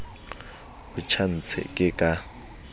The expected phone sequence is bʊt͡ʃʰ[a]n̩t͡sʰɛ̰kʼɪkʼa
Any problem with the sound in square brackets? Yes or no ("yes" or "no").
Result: no